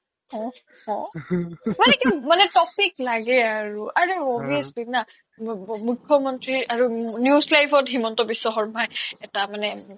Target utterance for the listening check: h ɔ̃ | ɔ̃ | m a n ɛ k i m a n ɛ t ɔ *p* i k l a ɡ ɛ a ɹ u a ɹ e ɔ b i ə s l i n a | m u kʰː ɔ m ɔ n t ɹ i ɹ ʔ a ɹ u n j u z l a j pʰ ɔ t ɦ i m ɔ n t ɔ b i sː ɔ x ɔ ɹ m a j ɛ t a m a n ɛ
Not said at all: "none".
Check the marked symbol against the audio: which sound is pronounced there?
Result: p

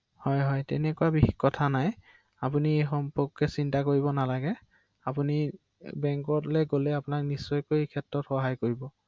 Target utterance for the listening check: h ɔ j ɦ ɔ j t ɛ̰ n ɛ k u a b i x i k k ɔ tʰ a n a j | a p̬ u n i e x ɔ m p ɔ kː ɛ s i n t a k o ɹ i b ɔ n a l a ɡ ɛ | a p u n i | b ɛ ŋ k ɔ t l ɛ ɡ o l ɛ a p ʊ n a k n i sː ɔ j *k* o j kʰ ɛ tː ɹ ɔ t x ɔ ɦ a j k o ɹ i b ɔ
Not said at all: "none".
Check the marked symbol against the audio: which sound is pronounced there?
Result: k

